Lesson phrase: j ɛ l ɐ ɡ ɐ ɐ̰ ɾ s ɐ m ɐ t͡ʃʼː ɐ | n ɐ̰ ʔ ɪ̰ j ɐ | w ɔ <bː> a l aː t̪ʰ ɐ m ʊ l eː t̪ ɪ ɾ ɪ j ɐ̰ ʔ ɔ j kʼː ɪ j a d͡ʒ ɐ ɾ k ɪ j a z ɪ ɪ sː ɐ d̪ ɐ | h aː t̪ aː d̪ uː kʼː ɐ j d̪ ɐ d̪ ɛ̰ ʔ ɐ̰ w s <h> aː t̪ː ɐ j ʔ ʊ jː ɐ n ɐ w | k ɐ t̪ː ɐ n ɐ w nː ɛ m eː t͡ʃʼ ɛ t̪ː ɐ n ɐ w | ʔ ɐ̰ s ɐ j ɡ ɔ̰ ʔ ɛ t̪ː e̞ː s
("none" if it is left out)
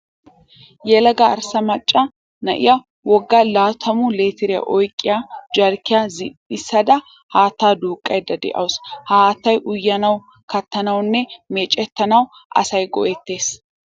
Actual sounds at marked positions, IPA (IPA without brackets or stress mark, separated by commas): ɡː, h